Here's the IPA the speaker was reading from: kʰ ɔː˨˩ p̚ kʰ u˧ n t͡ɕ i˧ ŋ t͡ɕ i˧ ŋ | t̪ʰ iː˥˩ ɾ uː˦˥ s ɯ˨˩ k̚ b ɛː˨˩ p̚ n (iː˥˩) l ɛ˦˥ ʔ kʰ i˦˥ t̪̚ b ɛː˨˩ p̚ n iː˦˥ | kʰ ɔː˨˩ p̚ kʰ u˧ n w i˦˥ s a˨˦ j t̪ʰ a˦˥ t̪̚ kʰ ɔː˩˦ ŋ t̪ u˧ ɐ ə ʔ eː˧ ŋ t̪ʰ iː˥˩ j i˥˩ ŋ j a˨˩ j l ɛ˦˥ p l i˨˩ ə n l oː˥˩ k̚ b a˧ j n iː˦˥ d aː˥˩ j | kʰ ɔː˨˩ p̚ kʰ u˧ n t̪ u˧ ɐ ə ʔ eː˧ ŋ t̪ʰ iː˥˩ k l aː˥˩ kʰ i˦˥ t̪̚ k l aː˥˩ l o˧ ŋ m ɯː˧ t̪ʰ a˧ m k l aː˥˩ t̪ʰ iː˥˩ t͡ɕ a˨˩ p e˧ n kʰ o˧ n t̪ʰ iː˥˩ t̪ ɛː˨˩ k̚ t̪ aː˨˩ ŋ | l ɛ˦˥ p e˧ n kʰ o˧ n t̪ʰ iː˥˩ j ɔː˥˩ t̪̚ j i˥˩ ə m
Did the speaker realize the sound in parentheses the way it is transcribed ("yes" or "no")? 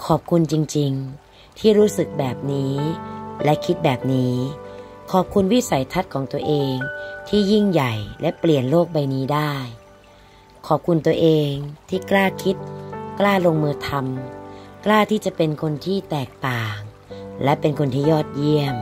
no